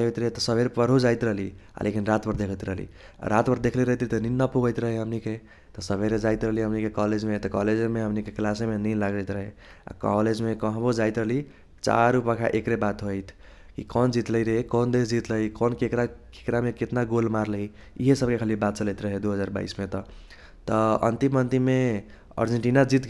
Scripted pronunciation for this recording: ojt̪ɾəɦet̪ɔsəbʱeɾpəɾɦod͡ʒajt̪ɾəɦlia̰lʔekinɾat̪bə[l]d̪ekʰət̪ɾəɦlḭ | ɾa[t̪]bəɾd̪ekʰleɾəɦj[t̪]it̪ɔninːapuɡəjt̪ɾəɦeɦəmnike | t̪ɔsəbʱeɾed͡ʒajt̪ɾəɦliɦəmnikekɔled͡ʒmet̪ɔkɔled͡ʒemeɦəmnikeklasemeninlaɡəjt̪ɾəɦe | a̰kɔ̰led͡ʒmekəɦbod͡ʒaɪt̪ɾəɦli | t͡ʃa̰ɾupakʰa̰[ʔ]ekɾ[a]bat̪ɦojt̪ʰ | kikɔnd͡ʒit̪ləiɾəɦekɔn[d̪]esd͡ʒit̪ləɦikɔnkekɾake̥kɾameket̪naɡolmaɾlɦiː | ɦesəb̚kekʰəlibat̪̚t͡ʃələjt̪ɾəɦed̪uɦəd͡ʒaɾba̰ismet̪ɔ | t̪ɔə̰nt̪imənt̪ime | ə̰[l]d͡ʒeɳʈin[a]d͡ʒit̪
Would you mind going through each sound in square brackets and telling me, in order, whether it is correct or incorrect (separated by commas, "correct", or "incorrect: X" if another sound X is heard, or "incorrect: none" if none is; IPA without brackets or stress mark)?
incorrect: ɾ, correct, correct, correct, incorrect: e, correct, incorrect: ɾ, correct